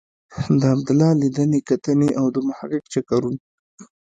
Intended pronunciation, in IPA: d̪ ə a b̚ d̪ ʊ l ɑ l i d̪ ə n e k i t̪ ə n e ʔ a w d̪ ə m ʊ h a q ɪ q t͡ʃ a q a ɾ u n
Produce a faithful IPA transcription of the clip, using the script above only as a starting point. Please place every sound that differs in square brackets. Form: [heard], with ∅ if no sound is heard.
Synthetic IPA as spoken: d̪ ə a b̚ d̪ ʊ l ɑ l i d̪ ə n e k [a] t̪ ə n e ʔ a w d̪ ə m ʊ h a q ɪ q t͡ʃ a [k] a ɾ u n